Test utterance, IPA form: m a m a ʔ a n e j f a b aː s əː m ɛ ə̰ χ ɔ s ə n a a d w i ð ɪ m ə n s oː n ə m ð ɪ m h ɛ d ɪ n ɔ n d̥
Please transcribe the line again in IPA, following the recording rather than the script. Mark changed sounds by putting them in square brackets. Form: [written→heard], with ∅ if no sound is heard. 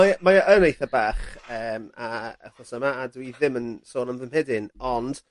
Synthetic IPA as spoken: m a m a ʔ [a→ə] n e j [f→θ] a b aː [s→χ] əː m [ɛ→a] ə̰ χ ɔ s ə [n→m] a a d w i ð ɪ m ə n s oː n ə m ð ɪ m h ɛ d ɪ n ɔ n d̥